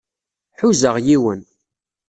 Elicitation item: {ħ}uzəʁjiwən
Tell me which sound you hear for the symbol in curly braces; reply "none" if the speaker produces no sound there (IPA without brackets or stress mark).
ħ